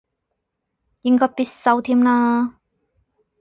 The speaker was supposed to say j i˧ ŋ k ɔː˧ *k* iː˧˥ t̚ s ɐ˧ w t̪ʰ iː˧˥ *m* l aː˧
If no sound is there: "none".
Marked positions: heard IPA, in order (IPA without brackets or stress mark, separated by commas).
p, m